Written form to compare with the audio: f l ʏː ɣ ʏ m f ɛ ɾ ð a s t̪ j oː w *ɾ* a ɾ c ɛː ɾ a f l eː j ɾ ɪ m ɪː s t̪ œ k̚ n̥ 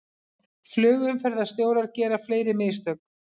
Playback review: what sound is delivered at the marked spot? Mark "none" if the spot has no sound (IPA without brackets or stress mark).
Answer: ɾ